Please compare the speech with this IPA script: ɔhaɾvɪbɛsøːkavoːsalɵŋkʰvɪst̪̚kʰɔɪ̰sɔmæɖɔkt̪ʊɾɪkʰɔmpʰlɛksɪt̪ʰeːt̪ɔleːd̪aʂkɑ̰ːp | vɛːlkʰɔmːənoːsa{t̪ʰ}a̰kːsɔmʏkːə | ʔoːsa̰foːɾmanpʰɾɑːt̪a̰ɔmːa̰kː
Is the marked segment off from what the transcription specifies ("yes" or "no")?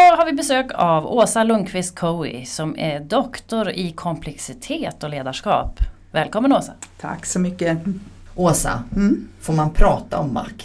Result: no